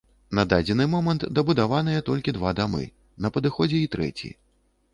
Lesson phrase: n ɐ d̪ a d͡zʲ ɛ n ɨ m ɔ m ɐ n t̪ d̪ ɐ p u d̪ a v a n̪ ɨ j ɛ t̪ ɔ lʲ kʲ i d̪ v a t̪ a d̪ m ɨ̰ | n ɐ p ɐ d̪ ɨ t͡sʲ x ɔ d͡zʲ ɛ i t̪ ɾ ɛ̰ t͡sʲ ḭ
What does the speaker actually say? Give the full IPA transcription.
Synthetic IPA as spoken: n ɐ d̪ a d͡zʲ ɛ n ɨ m ɔ m ɐ n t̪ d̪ ɐ b u d̪ a v a n̪ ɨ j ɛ t̪ ɔ lʲ kʲ i d̪ v a d̪ a m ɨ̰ | n ɐ p ɐ d̪ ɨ x ɔ d͡zʲ ɛ i t̪ ɾ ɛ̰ t͡sʲ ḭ